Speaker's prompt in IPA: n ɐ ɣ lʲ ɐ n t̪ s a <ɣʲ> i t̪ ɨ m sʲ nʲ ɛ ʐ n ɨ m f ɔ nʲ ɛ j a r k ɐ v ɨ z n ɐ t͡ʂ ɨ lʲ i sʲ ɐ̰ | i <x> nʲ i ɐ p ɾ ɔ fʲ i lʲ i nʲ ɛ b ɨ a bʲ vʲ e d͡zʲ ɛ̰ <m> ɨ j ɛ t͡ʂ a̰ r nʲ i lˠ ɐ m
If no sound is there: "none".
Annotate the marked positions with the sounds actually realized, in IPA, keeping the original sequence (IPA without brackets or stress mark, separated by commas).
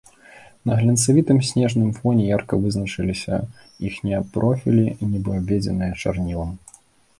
vʲ, x, n